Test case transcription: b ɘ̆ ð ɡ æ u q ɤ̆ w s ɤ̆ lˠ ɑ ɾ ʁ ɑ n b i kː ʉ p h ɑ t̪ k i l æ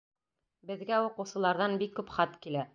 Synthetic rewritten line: b ɘ̆ ð ɡ æ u q ɤ̆ w s ɤ̆ lˠ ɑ ɾ ð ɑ n b i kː ʉ p χ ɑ t̪ k i l æ

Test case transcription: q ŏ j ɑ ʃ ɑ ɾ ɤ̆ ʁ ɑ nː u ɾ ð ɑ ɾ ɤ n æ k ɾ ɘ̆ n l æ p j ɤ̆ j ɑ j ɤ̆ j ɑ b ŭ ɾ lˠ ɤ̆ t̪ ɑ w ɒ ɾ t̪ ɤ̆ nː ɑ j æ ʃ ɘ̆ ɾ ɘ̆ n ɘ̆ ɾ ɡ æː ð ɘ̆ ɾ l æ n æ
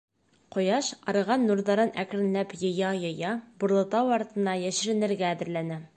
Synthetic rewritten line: q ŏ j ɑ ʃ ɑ ɾ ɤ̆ ʁ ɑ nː u ɾ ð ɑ ɾ ɤ n æ k ɾ ɘ̆ n l æ p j ɤ̆ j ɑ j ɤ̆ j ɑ b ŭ ɾ lˠ ɤ̆ t̪ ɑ w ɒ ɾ t̪ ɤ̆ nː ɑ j æ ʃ ɘ̆ ɾ ɘ̆ n ɘ̆ ɾ ɡ æː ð ɘ̆ ɾ l æ n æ

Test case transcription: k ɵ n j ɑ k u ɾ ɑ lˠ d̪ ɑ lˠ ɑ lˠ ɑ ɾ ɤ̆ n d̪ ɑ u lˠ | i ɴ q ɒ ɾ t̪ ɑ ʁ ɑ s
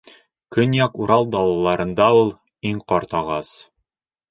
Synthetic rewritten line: k ɵ n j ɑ k u ɾ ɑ lˠ d̪ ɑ lˠ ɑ lˠ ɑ ɾ ɤ̆ n d̪ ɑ u lˠ | i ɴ q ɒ ɾ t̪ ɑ ʁ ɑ s

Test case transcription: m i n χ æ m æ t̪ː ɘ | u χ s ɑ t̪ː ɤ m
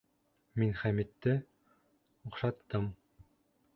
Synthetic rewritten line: m i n χ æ m i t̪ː ɘ | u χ ʃ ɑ t̪ː ɤ m

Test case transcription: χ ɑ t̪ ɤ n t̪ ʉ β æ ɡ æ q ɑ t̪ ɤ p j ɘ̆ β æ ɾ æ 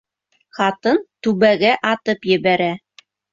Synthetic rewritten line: χ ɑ t̪ ɤ n t̪ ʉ β æ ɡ æ ʔ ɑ t̪ ɤ p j ɘ̆ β æ ɾ æ

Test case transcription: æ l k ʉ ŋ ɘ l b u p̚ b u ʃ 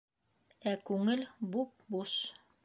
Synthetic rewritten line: æ k ʉ ŋ ɘ l b u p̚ b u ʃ

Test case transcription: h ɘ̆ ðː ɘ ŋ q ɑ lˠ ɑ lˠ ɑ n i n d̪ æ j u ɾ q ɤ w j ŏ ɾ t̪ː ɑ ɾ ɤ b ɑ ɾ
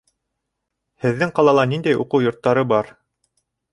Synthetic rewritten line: h ɘ̆ ðː ɘ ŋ q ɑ lˠ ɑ lˠ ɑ n i n d̪ æ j u q ɤ w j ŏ ɾ t̪ː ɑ ɾ ɤ b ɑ ɾ

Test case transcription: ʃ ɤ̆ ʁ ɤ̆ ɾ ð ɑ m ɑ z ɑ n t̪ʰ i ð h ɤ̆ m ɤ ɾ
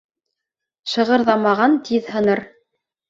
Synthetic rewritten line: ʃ ɤ̆ ʁ ɤ̆ ɾ ð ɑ m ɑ ʁ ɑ n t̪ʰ i ð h ɤ̆ n ɤ ɾ

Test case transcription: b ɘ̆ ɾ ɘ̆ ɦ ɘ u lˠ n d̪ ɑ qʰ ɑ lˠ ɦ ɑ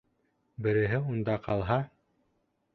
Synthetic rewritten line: b ɘ̆ ɾ ɘ̆ ɦ ɘ u n d̪ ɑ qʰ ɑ lˠ ɦ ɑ

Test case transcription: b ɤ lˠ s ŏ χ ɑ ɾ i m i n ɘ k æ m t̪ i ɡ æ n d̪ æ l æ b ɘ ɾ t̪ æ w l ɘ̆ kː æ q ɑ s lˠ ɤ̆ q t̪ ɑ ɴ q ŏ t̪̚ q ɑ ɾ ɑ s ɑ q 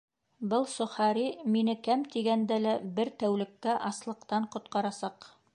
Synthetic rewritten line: b ɤ lˠ s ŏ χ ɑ ɾ i m i n ɘ k æ m t̪ i ɡ æ n d̪ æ l æ b ɘ ɾ t̪ æ w l ɘ̆ kː æ ʔ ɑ s lˠ ɤ̆ q t̪ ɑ ɴ q ŏ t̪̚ q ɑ ɾ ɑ s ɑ q

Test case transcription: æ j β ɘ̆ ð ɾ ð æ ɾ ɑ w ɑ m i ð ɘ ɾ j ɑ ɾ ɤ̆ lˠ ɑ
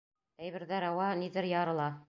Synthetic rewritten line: æ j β ɘ̆ ɾ ð æ ɾ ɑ w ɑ n i ð ɘ ɾ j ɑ ɾ ɤ̆ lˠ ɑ

